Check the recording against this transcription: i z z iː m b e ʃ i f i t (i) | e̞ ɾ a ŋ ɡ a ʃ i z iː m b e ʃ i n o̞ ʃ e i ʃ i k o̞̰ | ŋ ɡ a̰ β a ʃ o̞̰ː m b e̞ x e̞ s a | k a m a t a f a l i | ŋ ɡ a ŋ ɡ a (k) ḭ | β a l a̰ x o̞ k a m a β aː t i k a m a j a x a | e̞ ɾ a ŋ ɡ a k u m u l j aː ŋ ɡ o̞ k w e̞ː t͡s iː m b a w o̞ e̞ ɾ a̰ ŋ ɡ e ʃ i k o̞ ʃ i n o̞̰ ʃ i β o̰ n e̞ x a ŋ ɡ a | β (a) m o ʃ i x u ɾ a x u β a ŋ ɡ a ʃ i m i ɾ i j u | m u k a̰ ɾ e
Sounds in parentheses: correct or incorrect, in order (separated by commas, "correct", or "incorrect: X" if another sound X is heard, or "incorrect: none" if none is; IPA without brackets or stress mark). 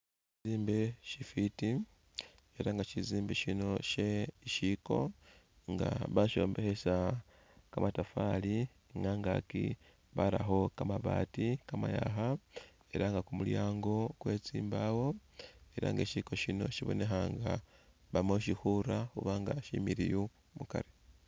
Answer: correct, correct, correct